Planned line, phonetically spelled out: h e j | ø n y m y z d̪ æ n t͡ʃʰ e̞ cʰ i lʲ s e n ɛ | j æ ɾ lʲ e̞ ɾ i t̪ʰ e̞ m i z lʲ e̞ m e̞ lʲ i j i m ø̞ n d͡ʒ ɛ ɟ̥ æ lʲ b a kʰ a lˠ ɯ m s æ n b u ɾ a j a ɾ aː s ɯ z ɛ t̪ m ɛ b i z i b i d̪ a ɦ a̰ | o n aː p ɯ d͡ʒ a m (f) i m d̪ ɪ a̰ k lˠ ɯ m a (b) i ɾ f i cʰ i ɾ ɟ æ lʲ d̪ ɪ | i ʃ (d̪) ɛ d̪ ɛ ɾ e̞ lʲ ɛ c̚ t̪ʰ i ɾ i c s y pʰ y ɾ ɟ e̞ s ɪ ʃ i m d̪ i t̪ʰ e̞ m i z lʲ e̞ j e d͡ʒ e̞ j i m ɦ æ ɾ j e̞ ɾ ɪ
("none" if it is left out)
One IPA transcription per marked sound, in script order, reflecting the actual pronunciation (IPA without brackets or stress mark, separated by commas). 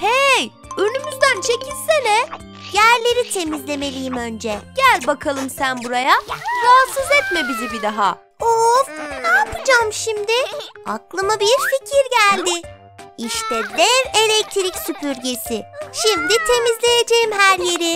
ʃ, b, t̪